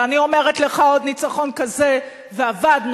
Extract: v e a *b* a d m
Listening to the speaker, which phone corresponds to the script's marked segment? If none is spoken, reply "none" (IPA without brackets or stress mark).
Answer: v